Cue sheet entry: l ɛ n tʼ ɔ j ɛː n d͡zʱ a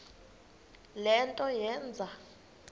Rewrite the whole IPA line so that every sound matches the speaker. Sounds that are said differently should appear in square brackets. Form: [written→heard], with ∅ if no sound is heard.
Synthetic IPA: l ɛ n tʼ ɔ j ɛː n d͡zʱ a

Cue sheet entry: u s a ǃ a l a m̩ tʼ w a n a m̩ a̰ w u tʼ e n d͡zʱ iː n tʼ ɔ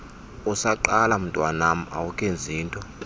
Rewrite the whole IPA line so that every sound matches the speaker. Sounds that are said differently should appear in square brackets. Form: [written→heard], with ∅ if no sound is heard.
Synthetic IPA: u s a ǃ a l a m̩ tʼ w a n a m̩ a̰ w u [tʼ→kʼ] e n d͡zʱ iː n tʼ ɔ

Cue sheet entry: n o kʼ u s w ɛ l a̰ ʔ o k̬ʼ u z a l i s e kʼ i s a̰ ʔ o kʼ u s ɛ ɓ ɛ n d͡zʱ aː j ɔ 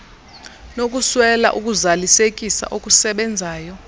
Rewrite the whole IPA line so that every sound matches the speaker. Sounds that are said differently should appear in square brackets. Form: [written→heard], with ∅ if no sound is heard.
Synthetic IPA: n o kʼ u s w ɛ l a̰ ʔ [o→u] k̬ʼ u z a l i s e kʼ i s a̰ ʔ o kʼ u s ɛ ɓ ɛ n d͡zʱ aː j ɔ

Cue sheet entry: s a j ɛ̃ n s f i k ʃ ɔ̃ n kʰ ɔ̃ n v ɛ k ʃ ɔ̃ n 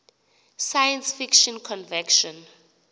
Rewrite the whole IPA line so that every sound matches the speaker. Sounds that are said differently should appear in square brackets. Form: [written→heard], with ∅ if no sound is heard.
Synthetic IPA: s a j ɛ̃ n s f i k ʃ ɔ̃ n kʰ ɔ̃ n v ɛ k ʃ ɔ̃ n

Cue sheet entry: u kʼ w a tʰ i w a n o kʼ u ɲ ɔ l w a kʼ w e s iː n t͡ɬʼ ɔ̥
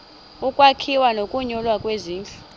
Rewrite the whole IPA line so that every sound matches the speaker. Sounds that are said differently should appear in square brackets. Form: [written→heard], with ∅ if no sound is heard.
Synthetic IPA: u kʼ w a [tʰ→kʰ] i w a n o kʼ u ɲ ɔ l w a kʼ w e [s→z] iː n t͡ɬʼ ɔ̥

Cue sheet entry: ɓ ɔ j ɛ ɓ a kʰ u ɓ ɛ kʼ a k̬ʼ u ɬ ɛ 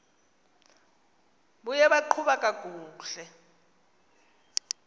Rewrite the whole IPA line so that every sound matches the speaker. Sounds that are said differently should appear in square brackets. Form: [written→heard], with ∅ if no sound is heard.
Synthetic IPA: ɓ [ɔ→u] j ɛ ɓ a [kʰ→ǃʰ] u ɓ [ɛ→a] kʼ a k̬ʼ [u→uː] ɬ ɛ

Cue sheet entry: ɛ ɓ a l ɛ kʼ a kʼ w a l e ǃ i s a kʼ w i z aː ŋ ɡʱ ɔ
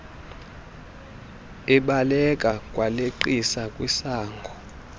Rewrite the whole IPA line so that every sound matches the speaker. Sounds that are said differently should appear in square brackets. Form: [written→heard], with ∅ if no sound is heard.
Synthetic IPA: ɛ ɓ a l ɛ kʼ a kʼ w a l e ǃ i s a kʼ w i [z→s] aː ŋ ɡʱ ɔ

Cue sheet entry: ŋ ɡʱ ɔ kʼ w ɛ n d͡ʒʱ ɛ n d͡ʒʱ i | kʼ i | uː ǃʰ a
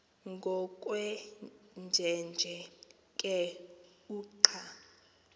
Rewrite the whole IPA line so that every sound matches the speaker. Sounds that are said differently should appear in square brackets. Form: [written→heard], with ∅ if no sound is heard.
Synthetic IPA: ŋ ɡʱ ɔ kʼ w ɛ n d͡ʒʱ ɛ n d͡ʒʱ [i→ɛ] | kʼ [i→ɛ] | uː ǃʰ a

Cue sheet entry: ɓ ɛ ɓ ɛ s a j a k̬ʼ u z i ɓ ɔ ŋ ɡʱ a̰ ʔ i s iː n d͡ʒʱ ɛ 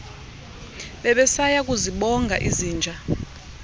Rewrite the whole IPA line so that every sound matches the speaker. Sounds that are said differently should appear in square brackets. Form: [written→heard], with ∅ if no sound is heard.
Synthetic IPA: ɓ ɛ ɓ ɛ s a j a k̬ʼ u z i ɓ ɔ ŋ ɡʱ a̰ ʔ i [s→z] iː n d͡ʒʱ [ɛ→a]

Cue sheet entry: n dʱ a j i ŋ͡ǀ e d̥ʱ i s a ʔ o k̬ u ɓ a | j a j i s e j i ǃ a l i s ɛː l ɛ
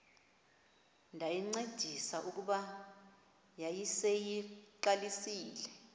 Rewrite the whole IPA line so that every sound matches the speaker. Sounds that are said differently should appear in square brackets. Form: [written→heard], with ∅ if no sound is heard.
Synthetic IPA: n dʱ a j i ŋ͡ǀ e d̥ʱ i s a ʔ [o→u] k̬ u ɓ a | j a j i s e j i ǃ a l i s [ɛː→iː] l ɛ

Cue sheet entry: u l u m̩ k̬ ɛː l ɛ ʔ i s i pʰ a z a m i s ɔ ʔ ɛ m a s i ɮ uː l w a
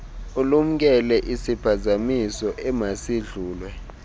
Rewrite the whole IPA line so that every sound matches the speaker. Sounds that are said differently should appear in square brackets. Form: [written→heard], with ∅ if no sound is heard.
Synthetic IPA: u l u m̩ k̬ [ɛː→ɛ] l ɛ ʔ i s i pʰ a z a m i s ɔ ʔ ɛ m a s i ɮ uː l w [a→ɛ]

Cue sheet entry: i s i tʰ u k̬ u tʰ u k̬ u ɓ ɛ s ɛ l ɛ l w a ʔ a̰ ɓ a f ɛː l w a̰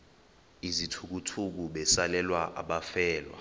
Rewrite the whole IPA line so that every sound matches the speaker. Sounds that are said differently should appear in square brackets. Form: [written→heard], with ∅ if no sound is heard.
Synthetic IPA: i [s→z] i tʰ u k̬ u tʰ u k̬ u ɓ ɛ s [ɛ→a] l ɛ l w a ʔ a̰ ɓ a f ɛː l w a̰

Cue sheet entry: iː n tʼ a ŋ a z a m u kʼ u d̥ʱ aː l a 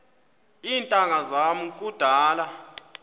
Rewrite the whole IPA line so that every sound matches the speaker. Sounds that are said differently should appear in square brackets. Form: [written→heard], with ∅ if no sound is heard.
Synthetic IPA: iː n tʼ a ŋ a z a m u kʼ u d̥ʱ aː l a

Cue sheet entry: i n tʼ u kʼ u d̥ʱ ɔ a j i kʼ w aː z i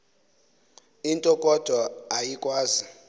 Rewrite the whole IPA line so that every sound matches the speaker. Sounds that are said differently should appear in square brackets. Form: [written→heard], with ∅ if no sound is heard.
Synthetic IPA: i n tʼ [u→ɔ] kʼ [u→ɔ] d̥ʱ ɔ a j i kʼ w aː z i

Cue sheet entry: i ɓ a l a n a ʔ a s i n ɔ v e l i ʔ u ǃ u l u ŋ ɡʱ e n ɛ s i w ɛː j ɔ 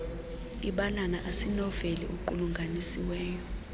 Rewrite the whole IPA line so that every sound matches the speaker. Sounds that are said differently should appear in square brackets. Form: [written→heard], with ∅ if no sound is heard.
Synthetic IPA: i ɓ a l a n a ʔ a s i n ɔ v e l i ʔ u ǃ u l u ŋ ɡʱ [e→a] n [ɛ→i] s i w ɛː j ɔ

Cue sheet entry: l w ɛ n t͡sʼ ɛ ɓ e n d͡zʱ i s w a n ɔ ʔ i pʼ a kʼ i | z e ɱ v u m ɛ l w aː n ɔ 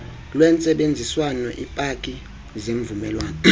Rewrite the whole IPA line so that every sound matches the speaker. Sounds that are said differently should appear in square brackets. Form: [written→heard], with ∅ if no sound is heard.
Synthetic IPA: l w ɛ n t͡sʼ ɛ ɓ e n d͡zʱ i s w a n ɔ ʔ i pʼ a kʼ i | z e ɱ v u m ɛ l w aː n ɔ

